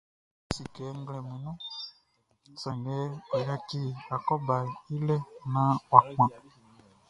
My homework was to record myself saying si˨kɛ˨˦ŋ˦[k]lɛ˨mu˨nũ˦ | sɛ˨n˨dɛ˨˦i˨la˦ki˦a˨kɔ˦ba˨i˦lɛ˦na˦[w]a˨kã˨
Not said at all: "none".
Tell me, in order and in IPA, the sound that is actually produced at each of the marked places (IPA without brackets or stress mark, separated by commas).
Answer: ɡ, w